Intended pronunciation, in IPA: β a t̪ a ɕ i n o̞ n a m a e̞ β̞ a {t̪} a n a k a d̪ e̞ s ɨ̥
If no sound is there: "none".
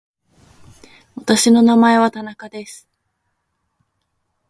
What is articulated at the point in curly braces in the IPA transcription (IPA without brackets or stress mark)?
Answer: t̪